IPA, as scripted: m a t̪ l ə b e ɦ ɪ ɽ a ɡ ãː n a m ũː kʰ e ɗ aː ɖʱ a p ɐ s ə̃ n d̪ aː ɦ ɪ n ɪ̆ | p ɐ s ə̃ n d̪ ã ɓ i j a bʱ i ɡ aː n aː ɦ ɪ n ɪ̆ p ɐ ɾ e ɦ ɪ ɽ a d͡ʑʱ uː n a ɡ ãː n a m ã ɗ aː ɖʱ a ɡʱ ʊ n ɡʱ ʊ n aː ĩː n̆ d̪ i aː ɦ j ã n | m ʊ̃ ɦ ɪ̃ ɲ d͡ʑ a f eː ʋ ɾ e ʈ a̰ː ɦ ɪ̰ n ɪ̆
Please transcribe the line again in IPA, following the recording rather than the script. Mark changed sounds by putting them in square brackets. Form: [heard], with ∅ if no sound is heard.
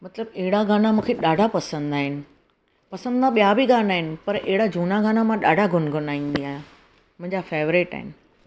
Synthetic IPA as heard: m [ɐ] t̪ l ə b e ɦ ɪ ɽ a ɡ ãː n a m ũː kʰ e ɗ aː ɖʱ a p ɐ s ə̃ n d̪ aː ɦ ɪ n ɪ̆ | p ɐ s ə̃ n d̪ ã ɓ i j a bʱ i ɡ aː n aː ɦ ɪ n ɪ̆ p ɐ ɾ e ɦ ɪ ɽ a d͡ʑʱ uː n a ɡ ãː n a m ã ɗ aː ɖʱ a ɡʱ ʊ n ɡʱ ʊ n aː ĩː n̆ d̪ i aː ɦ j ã [∅] | m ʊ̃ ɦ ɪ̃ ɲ d͡ʑ a f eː ʋ ɾ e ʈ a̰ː ɦ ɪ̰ n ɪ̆

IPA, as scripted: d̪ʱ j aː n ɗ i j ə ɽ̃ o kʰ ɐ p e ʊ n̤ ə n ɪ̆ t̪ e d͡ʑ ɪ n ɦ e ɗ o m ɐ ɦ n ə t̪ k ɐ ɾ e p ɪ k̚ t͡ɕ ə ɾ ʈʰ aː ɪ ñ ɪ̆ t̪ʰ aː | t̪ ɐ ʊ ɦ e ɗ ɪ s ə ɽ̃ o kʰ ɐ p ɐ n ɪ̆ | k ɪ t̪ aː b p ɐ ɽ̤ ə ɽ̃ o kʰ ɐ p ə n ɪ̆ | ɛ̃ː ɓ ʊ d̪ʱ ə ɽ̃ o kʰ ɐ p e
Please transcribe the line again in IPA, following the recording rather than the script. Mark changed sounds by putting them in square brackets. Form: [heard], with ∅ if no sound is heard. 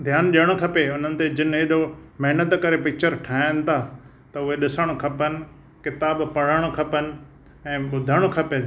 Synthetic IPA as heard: d̪ʱ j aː n ɗ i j ə ɽ̃ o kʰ ɐ p e ʊ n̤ ə n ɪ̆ t̪ e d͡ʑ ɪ n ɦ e ɗ o m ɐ ɦ n ə t̪ k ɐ ɾ e p ɪ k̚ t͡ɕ ə ɾ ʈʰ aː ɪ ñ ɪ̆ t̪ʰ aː | t̪ ɐ ʊ ɦ e ɗ ɪ s ə ɽ̃ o kʰ ɐ p [ə] n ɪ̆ | k ɪ t̪ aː b p ɐ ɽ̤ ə ɽ̃ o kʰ ɐ p ə n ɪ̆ | ɛ̃ː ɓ ʊ d̪ʱ ə ɽ̃ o kʰ ɐ p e

